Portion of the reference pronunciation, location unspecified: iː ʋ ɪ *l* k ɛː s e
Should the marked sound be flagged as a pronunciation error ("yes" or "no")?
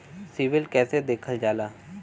no